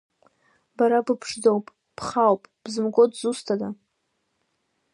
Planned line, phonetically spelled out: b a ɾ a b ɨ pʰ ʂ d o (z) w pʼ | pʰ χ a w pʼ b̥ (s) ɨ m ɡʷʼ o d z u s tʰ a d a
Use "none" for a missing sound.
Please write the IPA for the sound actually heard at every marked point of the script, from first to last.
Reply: none, z

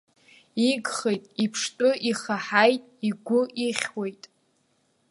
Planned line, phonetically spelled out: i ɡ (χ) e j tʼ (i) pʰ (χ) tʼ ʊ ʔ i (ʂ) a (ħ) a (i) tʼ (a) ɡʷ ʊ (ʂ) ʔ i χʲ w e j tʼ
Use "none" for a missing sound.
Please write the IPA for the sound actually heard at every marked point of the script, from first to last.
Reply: χ, i, ʂ, χ, ħ, j, i, none

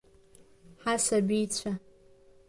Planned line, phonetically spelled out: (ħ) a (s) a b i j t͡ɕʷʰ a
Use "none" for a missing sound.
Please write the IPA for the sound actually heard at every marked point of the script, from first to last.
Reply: ħ, s

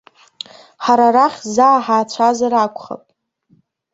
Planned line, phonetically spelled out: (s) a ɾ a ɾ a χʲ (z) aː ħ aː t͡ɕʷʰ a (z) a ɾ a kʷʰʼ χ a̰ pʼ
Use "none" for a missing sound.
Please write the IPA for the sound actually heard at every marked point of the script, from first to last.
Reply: ħ, z, z

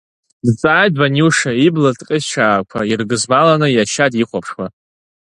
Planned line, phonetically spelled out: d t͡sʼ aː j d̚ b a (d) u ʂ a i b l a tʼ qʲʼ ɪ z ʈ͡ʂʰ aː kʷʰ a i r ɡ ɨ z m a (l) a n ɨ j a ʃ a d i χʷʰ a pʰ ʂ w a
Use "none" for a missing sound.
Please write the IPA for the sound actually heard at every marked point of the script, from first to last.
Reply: n, l

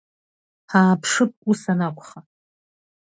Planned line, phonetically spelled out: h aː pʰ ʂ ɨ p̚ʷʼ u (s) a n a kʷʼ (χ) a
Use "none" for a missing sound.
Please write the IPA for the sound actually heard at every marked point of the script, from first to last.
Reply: s, χ

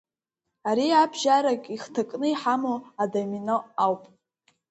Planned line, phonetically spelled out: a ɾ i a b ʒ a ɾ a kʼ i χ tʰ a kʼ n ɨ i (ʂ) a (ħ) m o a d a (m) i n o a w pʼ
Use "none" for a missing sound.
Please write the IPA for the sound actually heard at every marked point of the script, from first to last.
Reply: ħ, none, m

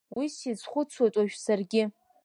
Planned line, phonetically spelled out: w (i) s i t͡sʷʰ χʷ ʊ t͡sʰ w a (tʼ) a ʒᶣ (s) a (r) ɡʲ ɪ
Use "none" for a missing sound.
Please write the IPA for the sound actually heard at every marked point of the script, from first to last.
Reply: i, tʼ, s, r

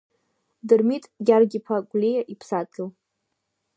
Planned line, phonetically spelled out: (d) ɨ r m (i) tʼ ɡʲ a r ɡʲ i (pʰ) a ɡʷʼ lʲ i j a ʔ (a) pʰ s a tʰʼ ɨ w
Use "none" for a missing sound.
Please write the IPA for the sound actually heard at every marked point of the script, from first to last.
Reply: d, i, pʰ, i

